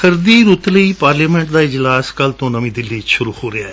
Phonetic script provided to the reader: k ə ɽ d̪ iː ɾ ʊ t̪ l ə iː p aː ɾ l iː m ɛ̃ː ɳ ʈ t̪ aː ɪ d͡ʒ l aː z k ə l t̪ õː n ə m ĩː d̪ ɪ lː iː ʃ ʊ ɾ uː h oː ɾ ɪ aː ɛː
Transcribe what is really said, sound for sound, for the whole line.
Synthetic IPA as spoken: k ə ɾ d̪ iː ɾ ʊ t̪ l ə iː p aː ɾ l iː m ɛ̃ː ɳ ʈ d̪ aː ɪ d͡ʒ l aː s k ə l t̪ õː n ə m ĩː d̪ ɪ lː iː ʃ ʊ ɾ uː h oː ɾ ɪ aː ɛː